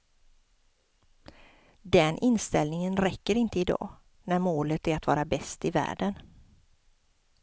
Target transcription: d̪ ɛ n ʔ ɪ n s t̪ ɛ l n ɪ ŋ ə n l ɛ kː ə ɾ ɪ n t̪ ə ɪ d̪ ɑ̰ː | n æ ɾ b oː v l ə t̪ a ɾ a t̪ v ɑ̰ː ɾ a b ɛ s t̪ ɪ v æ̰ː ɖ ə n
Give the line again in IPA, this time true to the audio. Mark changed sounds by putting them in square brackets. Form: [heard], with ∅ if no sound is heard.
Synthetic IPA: d̪ ɛ n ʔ ɪ n s t̪ ɛ l n ɪ ŋ ə n [ɾ] ɛ kː ə ɾ ɪ n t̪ ə ɪ d̪ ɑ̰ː | n æ ɾ [m] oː [∅] l ə t̪ [æ] ɾ a t̪ v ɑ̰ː ɾ a b ɛ s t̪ ɪ v æ̰ː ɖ ə n